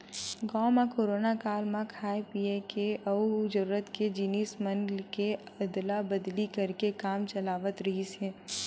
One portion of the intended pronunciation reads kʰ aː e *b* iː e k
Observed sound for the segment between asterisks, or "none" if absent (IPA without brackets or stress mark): p